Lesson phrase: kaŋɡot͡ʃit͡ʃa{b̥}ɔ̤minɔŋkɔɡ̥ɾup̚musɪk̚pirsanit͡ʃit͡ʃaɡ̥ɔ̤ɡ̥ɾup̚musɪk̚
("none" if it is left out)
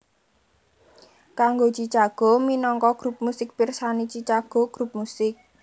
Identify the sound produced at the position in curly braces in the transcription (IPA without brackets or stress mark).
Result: ɡ̥